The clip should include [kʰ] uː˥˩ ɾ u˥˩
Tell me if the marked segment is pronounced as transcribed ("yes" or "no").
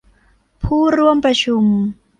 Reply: no